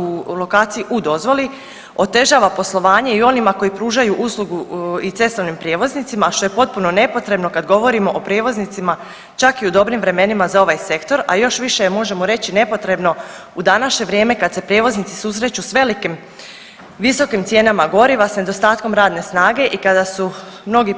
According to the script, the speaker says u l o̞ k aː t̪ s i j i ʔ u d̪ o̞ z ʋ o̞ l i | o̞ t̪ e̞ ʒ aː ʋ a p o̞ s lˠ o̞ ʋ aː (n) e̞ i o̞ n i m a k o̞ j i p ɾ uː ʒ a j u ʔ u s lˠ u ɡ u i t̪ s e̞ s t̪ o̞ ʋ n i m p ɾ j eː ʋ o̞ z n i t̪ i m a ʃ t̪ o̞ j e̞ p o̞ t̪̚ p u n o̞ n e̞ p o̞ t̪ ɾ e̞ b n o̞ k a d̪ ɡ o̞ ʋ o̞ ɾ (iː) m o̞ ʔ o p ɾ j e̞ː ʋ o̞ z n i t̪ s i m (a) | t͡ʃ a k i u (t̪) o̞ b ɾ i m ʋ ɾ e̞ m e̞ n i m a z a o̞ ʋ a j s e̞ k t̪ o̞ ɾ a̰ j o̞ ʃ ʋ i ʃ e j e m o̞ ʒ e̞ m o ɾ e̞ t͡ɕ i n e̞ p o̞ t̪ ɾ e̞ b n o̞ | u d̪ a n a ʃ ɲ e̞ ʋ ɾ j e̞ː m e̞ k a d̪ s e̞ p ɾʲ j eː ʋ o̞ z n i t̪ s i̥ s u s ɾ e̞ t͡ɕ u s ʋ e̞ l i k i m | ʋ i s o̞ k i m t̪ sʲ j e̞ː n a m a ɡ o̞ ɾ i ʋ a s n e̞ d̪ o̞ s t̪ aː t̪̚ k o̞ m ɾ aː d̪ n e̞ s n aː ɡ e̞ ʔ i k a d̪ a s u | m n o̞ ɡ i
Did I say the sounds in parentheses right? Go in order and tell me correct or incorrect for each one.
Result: incorrect: ɲ, incorrect: i, correct, incorrect: d̪

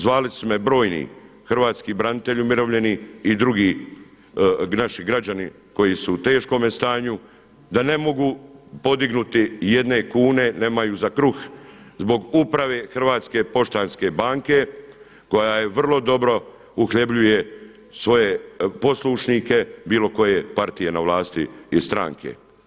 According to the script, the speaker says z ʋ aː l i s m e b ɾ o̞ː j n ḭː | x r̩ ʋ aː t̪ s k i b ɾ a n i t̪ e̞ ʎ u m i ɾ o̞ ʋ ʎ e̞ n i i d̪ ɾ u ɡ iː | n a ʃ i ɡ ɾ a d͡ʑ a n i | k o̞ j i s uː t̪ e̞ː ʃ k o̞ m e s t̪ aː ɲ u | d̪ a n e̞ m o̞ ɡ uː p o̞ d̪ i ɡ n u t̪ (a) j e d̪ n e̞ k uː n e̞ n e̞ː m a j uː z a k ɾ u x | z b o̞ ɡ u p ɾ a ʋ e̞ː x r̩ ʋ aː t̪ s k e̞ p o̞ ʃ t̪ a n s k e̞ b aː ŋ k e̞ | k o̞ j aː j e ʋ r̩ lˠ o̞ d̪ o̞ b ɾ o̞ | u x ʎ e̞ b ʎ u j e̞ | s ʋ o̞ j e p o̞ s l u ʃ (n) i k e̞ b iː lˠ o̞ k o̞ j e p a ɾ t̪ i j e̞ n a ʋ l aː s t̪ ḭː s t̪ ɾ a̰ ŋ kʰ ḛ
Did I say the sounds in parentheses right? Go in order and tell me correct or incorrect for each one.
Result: incorrect: i, correct

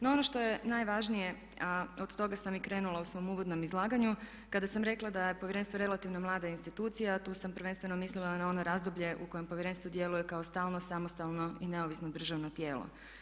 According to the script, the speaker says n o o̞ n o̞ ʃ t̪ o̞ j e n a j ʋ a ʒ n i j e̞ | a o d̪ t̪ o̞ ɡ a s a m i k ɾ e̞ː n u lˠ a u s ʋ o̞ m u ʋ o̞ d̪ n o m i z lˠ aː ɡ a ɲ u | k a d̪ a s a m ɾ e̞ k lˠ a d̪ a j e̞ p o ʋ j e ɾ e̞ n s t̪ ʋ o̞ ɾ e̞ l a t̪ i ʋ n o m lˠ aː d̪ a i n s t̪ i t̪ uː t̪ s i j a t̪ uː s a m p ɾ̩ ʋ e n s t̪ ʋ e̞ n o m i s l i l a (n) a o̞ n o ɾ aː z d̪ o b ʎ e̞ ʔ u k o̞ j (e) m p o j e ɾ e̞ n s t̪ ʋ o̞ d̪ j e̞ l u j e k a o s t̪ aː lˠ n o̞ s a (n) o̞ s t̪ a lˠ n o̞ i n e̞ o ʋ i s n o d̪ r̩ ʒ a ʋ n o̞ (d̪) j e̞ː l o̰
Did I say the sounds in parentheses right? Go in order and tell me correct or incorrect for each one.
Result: correct, correct, incorrect: m, incorrect: t̪

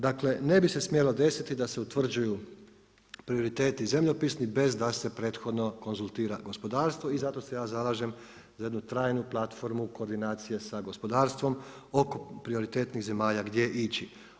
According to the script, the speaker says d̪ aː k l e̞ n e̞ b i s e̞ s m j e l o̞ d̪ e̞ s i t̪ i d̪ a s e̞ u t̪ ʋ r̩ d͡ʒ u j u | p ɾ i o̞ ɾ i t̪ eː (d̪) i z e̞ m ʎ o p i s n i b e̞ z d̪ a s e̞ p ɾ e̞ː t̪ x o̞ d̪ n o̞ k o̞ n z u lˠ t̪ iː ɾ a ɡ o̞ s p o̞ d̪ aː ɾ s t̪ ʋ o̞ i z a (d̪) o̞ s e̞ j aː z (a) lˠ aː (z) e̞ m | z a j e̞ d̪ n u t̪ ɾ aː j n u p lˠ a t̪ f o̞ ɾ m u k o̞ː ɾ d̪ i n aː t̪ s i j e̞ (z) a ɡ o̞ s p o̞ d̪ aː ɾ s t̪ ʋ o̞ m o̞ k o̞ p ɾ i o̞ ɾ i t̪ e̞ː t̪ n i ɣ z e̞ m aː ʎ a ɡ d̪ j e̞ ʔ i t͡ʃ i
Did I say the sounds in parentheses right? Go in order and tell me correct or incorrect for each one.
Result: incorrect: t̪, incorrect: t̪, correct, incorrect: ʒ, incorrect: s

